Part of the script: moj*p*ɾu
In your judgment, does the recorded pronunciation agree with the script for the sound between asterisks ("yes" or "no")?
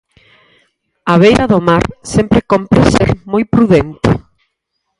yes